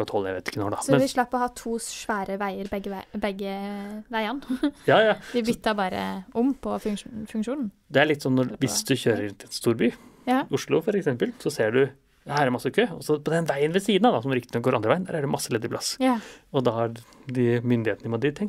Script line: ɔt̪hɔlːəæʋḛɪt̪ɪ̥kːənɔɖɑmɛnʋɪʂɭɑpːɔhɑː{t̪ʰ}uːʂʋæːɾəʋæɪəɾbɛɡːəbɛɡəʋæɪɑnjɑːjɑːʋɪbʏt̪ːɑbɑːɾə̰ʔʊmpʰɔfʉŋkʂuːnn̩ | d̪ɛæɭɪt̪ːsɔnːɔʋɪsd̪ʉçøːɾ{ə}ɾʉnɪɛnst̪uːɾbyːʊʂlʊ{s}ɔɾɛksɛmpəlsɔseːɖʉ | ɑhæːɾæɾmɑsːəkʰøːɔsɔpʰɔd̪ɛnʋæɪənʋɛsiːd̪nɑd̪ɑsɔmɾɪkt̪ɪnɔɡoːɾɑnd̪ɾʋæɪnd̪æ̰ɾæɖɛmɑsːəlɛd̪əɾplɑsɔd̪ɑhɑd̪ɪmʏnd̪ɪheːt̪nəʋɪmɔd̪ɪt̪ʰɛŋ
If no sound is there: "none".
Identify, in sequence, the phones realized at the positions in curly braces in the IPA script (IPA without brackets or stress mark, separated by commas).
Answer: t̪ʰ, ə, f